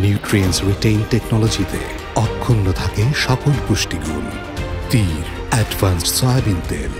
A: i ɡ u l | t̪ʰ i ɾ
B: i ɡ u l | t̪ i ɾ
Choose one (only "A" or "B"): B